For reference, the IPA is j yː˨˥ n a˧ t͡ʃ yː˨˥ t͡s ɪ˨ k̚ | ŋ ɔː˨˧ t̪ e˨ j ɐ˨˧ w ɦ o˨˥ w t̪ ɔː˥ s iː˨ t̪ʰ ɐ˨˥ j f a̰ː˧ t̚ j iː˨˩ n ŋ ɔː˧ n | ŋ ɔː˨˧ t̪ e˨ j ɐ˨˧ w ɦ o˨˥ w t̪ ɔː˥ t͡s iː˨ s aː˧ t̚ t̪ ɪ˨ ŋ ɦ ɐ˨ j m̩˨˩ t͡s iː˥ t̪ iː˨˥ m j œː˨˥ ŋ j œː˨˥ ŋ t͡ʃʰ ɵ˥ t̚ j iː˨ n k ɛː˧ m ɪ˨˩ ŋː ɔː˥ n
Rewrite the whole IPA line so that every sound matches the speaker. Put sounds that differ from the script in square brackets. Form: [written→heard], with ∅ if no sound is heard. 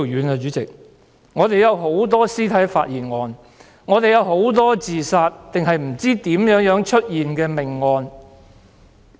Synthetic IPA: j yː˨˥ n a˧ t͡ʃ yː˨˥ t͡s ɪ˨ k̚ | ŋ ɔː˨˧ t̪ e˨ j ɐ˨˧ w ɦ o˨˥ w t̪ ɔː˥ s [iː˨→iː˥] t̪ʰ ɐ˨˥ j f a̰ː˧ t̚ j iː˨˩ n ŋ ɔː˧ n | ŋ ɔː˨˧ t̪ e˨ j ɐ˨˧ w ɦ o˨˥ w t̪ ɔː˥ t͡s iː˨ s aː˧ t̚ t̪ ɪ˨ ŋ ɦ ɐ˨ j m̩˨˩ t͡s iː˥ t̪ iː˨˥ m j œː˨˥ ŋ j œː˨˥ ŋ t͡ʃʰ ɵ˥ t̚ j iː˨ n k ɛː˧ m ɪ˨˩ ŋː [ɔː˥→ɔː˧] n